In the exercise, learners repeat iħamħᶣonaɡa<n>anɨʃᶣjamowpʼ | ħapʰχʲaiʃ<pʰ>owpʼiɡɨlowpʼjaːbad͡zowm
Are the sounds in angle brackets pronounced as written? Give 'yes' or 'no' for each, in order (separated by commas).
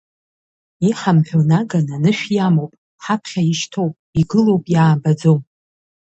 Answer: yes, no